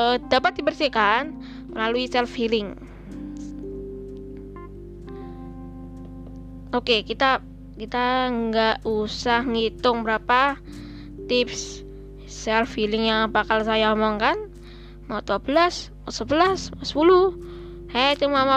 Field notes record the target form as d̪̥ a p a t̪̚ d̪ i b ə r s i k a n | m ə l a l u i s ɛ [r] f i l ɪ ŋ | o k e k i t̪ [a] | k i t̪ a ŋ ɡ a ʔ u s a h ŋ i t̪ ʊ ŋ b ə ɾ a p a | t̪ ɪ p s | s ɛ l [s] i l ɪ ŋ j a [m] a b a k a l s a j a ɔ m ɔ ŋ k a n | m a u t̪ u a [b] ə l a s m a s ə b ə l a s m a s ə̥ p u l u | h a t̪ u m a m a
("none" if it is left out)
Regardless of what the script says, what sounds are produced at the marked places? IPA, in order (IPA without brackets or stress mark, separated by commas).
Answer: l, a, f, ŋ, b